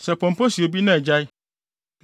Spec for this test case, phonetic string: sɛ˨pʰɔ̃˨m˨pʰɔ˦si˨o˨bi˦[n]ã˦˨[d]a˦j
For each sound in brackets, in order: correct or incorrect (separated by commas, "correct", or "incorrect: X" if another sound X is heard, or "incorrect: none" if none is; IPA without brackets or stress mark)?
correct, incorrect: d͡ʑ